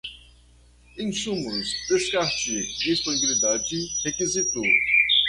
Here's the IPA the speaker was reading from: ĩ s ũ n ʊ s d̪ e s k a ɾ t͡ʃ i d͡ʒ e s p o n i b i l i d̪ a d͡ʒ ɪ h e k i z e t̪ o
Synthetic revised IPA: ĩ s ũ m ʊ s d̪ e s k a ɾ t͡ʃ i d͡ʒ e s p o n i b i l i d̪ a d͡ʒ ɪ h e k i z i t̪ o